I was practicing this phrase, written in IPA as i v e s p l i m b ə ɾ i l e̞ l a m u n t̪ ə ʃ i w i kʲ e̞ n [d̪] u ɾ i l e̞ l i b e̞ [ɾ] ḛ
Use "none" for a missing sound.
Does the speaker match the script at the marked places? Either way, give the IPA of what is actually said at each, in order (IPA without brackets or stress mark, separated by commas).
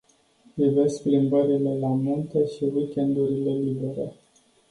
d̪, ɾ